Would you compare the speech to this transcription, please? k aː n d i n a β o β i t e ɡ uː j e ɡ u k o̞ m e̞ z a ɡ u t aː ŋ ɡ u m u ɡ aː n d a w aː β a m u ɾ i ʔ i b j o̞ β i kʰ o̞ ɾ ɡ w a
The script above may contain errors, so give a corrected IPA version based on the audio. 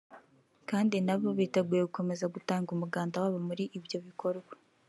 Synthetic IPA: k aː n d i n a β o β i t e ɡ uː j e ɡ u k o̞ m e̞ z a ɡ u t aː ŋ ɡ u m u ɡ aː n d a w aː β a m u ɾ i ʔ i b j o̞ β i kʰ o̞ ɾ ɡ w a